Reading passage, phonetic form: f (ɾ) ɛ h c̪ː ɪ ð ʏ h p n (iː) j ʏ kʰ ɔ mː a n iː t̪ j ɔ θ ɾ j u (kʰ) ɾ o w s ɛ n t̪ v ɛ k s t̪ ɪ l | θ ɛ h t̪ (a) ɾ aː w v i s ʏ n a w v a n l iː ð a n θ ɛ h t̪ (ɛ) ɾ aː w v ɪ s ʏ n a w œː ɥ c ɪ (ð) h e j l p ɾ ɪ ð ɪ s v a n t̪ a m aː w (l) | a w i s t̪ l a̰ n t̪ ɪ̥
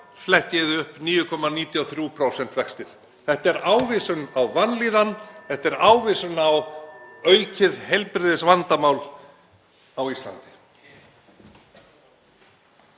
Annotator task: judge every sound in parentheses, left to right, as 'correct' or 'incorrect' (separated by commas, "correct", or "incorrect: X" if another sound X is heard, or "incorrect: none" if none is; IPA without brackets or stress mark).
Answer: incorrect: l, correct, incorrect: pʰ, incorrect: ɛ, correct, correct, correct